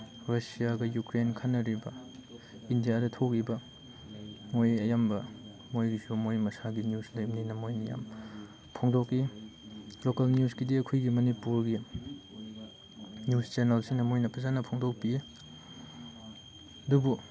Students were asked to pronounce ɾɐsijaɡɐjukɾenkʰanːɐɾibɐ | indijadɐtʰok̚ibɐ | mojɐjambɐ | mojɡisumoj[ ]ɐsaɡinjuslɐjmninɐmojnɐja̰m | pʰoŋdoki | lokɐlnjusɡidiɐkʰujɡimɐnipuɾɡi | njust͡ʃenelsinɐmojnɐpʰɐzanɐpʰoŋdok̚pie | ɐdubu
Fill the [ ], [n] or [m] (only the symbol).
m